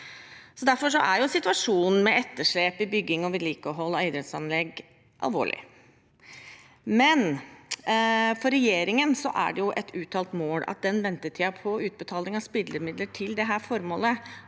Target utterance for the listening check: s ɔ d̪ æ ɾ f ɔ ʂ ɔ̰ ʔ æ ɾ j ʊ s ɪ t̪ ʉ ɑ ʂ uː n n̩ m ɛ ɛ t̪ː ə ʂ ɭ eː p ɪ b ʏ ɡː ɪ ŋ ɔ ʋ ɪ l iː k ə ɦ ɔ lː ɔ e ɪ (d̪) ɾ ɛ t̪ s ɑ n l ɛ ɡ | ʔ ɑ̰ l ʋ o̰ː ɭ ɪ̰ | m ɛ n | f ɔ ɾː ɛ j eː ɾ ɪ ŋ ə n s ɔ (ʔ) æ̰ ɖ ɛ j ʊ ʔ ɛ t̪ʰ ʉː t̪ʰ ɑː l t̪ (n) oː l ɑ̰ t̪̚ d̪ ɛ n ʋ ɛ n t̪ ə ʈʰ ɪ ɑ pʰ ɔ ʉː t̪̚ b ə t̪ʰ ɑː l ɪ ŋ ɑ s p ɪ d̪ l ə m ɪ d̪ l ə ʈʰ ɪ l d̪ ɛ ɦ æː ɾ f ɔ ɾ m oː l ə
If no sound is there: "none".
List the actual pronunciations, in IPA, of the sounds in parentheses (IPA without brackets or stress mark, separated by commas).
d̪, ʔ, m